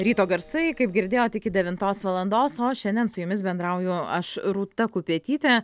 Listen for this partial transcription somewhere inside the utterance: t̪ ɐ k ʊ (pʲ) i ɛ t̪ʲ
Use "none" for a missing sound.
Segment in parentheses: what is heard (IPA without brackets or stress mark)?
pʲ